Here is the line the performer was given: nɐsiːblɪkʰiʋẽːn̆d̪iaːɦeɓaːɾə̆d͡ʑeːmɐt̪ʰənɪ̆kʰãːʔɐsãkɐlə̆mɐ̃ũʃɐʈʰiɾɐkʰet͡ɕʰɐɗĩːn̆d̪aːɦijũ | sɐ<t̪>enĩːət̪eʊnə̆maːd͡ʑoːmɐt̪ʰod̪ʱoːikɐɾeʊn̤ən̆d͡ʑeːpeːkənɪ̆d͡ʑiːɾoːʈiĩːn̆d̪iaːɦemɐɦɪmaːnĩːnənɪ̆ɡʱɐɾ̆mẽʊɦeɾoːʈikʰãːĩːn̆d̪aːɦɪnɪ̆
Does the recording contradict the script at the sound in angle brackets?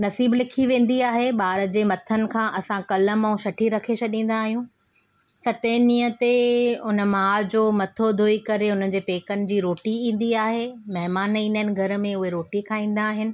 no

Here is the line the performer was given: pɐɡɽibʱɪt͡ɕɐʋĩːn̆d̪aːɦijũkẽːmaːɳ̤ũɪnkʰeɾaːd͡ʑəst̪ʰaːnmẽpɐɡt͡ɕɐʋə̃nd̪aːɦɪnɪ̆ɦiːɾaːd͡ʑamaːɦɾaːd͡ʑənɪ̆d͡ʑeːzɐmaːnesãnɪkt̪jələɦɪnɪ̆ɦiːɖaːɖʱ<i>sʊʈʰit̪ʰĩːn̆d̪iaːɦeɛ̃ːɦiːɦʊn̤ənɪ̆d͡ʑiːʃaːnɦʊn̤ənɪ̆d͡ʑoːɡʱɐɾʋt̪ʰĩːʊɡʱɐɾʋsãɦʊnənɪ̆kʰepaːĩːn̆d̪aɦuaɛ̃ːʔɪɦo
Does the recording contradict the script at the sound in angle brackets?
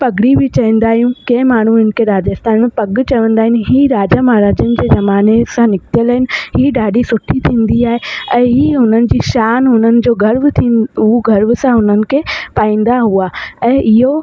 no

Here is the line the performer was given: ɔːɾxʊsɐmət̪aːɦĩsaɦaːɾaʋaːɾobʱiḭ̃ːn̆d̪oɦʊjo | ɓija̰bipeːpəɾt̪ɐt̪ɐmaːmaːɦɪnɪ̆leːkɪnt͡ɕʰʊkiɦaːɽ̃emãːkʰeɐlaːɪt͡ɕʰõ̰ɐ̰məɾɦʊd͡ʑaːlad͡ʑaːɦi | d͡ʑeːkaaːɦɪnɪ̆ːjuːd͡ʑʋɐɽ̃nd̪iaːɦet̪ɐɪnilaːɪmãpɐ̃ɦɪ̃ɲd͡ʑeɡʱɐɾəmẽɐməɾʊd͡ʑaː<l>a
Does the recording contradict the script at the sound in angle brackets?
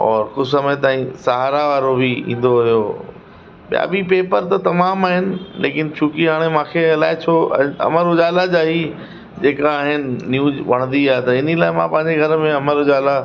no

